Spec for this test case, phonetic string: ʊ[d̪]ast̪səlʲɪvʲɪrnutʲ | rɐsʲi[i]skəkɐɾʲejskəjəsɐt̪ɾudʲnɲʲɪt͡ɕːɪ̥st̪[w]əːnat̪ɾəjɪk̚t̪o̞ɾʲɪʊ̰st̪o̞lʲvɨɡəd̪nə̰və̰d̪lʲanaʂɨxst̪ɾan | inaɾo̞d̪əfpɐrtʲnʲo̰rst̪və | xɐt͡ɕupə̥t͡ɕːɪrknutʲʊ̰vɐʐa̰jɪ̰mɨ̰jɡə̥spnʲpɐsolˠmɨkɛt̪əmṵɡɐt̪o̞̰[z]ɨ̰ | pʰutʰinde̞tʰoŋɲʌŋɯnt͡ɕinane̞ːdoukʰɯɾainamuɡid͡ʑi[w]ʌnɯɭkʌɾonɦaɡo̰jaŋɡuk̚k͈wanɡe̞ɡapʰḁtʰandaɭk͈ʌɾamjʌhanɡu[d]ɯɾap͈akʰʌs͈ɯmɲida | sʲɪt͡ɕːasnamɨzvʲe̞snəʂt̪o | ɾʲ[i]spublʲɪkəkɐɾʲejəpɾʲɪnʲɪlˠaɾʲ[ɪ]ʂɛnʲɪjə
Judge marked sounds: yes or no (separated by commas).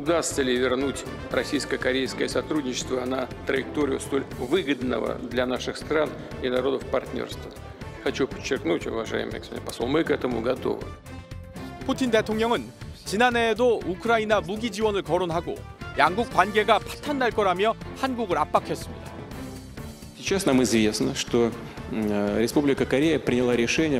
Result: yes, no, no, no, yes, no, no, yes